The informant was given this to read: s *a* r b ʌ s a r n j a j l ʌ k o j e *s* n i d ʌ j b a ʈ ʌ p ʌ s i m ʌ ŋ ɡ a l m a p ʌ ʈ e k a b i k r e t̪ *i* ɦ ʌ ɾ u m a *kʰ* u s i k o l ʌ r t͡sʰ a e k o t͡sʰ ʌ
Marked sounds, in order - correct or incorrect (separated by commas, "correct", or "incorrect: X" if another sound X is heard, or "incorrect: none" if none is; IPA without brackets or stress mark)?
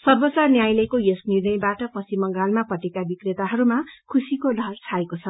incorrect: ʌ, correct, incorrect: a, correct